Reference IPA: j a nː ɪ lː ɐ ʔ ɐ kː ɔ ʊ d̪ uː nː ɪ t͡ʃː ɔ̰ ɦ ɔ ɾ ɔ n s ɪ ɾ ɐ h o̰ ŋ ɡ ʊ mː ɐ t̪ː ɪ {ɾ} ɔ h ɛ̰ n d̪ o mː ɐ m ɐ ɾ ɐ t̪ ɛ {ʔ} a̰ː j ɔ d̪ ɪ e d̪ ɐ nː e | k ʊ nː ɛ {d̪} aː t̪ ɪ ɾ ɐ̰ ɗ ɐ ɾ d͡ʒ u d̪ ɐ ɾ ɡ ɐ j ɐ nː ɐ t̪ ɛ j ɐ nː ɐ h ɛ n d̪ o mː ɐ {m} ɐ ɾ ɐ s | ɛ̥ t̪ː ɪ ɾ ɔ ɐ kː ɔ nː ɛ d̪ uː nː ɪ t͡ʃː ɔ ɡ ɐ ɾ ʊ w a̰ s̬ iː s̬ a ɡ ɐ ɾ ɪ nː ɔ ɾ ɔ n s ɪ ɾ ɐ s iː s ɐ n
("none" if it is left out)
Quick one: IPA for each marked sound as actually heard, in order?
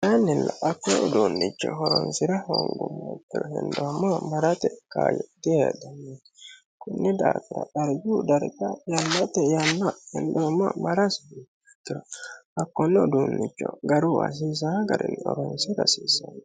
ɾ, k, d̪, m

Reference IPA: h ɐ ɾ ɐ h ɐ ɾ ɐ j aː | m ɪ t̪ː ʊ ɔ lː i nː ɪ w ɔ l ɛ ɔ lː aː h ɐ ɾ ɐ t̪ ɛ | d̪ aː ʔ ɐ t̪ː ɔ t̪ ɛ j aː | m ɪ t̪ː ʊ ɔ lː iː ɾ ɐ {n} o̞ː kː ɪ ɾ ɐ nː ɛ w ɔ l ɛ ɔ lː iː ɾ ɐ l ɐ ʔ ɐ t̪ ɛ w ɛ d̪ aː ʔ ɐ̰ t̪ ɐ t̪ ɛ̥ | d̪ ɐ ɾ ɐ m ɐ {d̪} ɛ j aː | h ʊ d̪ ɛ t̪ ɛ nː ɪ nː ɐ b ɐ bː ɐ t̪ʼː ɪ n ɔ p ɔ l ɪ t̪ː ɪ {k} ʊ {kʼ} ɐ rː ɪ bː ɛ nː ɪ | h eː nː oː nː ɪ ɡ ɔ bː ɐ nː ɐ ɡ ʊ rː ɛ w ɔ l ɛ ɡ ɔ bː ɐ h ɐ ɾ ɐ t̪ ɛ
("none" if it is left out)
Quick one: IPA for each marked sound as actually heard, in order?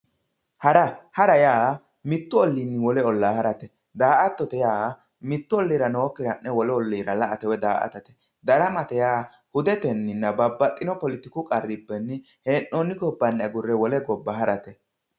n, t̪, k, kʼ

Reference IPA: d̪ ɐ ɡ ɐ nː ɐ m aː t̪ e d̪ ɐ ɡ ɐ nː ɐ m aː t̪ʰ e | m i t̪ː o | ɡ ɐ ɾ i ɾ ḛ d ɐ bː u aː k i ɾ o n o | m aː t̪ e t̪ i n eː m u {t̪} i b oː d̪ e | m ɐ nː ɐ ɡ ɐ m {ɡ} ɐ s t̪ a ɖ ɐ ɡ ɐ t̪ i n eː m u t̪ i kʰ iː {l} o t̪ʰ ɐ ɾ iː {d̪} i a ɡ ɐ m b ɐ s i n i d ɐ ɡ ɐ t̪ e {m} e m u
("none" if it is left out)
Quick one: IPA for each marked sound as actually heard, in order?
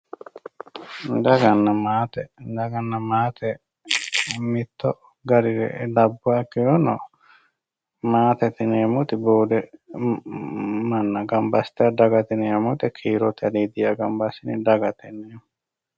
t̪, b, ɾ, d̪, n

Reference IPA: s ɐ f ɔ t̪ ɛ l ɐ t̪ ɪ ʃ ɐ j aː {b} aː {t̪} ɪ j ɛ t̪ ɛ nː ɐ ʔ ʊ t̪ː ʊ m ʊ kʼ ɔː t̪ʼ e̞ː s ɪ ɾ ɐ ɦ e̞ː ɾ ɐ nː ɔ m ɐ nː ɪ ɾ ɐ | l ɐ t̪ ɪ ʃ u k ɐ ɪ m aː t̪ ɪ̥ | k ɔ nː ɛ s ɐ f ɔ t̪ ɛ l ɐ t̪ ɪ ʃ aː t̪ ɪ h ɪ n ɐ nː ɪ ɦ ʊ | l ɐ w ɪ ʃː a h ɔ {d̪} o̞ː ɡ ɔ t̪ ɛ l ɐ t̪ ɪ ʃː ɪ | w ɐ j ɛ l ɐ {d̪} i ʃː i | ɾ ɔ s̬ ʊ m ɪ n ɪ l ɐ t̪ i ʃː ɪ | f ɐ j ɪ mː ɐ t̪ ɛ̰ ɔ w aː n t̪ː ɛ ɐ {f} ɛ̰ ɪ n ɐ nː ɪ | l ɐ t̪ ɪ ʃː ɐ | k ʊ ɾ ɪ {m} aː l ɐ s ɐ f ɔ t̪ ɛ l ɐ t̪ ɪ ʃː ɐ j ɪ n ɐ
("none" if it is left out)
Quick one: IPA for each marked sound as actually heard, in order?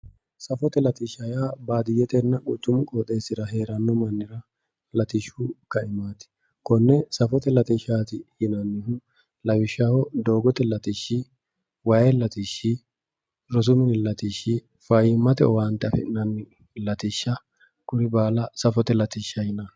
b, d̪, d̪, t̪, f, b

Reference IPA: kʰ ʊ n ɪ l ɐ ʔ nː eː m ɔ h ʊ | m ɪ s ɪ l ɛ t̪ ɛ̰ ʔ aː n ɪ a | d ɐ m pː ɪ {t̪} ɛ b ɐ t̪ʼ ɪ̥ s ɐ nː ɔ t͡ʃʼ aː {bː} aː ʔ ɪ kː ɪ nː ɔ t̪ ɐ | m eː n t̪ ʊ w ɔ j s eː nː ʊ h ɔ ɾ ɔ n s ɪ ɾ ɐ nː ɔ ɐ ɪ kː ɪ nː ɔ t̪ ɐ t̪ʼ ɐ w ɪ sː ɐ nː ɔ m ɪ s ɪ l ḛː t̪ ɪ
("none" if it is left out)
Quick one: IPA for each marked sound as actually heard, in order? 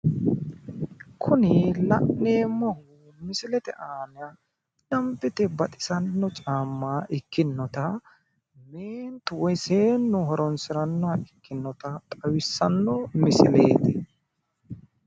t̪, mː

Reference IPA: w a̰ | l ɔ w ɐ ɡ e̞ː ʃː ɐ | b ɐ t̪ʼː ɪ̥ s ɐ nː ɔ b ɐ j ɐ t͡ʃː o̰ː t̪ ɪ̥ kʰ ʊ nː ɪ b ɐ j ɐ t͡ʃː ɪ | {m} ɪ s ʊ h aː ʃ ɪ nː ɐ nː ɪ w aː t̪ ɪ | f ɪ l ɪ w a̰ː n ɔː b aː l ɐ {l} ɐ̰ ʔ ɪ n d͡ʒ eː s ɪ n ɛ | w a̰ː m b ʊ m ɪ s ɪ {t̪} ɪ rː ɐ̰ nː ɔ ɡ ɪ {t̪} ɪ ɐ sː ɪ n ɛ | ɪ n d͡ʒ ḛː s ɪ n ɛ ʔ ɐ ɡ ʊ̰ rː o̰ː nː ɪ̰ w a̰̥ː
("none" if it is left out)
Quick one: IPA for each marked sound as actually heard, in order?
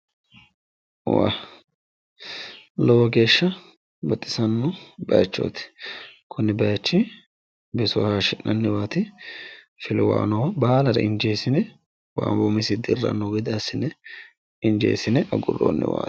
b, ɾ, d̪, d̪

